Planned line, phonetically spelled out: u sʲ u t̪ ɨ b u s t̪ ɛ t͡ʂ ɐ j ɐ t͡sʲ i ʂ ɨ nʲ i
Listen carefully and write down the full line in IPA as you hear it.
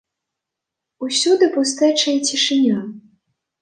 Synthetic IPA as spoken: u sʲ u d̪ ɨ p u s t̪ ɛ t͡ʂ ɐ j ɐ t͡sʲ i ʂ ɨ nʲ a